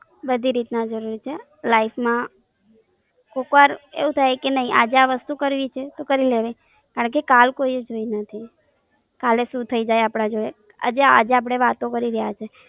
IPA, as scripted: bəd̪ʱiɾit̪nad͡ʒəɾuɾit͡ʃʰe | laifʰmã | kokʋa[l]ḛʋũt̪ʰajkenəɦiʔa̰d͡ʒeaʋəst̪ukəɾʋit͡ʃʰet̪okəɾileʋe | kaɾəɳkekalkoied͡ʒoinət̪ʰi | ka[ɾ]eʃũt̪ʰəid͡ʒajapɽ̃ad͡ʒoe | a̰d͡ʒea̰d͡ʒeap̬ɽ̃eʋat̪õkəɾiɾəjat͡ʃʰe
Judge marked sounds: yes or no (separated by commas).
no, no